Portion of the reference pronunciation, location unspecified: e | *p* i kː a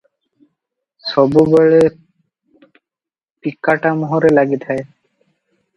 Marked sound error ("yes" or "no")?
no